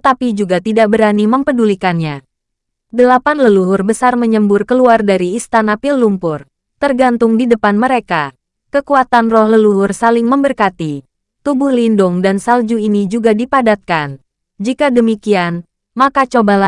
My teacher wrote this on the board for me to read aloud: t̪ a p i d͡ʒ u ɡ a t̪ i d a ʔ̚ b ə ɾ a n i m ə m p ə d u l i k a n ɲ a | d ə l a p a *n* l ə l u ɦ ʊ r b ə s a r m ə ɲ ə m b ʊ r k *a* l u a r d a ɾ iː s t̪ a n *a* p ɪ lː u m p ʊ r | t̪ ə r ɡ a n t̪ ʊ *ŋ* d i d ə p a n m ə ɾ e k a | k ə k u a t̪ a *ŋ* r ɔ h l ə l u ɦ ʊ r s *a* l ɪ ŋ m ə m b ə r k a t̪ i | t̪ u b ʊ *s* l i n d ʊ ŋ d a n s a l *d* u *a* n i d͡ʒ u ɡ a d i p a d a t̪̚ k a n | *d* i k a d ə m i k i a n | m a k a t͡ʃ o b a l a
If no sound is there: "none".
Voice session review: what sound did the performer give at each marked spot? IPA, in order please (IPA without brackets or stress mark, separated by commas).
n, ə, a, ŋ, n, a, h, d͡ʒ, i, d͡ʒ